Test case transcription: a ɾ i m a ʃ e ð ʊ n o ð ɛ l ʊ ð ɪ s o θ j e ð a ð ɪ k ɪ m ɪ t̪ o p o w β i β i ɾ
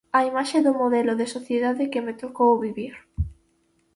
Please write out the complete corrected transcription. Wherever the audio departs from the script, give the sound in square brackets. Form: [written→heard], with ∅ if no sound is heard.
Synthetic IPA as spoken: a [ɾ→∅] i m a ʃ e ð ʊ [n→m] o ð ɛ l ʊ ð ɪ s o θ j e ð a ð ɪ k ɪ m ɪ t̪ o [p→k] o w β i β i ɾ